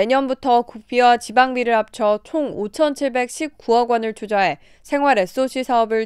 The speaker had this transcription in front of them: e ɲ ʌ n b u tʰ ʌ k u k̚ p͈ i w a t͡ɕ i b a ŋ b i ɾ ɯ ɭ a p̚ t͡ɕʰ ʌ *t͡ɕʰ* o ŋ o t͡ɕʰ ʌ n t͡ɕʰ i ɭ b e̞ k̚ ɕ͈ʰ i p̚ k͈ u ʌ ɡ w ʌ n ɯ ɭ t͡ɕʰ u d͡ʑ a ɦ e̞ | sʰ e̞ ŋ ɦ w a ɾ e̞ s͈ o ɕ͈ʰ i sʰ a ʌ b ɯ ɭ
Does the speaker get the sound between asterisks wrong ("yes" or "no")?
no